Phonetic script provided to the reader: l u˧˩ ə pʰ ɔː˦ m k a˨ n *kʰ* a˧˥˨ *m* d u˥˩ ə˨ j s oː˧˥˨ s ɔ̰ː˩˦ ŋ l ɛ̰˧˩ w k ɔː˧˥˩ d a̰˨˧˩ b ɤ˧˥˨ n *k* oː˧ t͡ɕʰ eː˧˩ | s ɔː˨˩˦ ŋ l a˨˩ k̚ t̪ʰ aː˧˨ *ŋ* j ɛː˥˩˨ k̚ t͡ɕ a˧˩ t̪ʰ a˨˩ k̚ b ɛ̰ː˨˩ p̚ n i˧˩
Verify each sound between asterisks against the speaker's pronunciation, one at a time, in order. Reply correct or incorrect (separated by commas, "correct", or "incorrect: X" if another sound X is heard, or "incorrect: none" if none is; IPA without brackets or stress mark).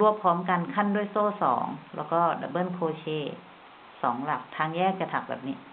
correct, incorrect: n, incorrect: kʰ, correct